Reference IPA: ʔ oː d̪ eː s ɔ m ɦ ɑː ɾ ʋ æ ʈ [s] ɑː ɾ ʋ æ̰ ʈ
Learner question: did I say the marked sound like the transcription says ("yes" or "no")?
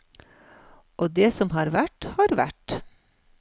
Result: no